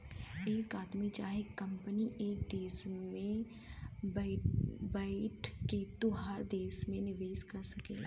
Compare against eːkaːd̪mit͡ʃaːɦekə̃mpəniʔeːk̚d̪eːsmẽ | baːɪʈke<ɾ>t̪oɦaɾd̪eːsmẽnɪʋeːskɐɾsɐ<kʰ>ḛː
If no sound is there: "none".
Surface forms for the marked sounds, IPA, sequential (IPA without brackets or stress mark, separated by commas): none, k